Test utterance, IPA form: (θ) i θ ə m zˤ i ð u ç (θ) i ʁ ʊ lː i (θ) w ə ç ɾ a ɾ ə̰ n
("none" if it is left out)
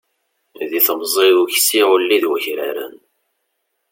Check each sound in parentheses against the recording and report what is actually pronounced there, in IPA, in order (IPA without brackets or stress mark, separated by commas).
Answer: ð, s, ð